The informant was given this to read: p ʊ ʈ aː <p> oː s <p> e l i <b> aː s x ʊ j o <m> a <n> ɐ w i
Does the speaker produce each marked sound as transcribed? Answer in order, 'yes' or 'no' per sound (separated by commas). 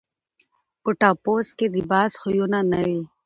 yes, no, yes, no, yes